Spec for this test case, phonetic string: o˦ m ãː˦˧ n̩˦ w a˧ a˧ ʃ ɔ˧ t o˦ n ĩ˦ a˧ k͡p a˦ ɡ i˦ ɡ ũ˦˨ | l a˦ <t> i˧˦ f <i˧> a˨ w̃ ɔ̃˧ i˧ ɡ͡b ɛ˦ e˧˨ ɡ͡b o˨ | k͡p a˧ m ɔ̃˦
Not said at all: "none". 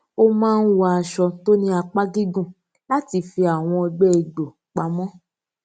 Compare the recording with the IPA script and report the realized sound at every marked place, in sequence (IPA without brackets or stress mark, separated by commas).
t, i˧